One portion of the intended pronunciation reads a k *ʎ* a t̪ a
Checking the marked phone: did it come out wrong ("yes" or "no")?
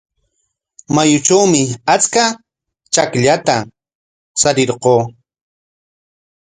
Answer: no